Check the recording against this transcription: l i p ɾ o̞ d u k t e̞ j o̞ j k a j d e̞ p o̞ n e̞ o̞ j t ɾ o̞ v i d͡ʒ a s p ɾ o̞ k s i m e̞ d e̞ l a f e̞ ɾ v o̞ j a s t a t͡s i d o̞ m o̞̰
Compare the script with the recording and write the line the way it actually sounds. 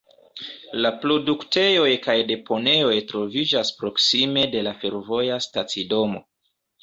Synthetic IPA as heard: l a p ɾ o̞ d u k t e̞ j o̞ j k a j d e̞ p o̞ n e̞ o̞ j t ɾ o̞ v i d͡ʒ a s p ɾ o̞ k s i m e̞ d e̞ l a f e̞ ɾ v o̞ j a s t a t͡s i d o̞ m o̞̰